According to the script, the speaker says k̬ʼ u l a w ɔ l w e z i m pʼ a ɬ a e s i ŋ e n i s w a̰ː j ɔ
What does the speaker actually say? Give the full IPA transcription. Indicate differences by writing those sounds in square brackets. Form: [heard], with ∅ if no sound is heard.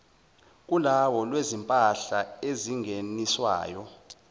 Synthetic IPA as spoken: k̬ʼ u l a w ɔ l w e z i m pʼ a ɬ a e [z] i ŋ e n i s w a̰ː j ɔ